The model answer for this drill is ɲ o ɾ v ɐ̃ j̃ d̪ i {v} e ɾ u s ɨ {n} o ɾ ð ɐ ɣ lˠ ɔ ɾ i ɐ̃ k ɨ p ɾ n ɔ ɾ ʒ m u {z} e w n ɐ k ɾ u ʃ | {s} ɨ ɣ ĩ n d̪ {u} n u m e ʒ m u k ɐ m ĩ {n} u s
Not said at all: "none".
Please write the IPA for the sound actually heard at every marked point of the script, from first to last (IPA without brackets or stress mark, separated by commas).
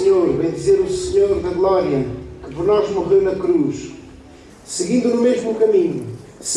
z, ɲ, ʁ, s, u, ɲ